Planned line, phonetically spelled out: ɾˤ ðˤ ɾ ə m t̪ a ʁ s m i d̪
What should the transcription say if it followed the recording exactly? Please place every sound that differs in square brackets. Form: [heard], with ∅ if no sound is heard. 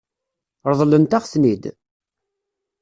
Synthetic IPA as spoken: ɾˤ ðˤ [l] ə [n] t̪ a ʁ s [n] i d̪